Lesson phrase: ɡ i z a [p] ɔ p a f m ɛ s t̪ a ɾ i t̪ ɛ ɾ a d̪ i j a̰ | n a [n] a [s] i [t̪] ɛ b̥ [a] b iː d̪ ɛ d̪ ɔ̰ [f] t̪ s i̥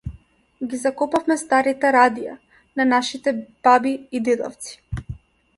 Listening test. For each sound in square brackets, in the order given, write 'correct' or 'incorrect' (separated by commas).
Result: incorrect, correct, incorrect, correct, correct, correct